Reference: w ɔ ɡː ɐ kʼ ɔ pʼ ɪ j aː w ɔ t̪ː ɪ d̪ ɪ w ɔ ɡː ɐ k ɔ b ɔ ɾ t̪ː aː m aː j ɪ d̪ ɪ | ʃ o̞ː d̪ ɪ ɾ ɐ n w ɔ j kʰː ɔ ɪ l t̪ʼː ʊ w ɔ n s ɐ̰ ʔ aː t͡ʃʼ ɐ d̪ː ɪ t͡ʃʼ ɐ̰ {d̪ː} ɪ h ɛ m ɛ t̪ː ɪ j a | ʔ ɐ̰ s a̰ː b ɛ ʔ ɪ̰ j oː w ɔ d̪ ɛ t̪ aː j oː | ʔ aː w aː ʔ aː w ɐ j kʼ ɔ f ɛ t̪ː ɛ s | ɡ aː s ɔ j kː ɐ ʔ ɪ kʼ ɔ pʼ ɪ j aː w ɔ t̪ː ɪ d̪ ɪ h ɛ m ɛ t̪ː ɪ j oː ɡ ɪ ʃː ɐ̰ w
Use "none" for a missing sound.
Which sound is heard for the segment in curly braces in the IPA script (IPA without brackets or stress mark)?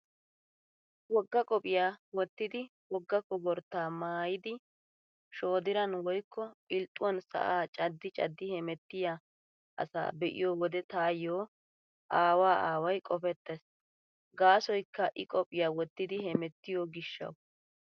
d̪ː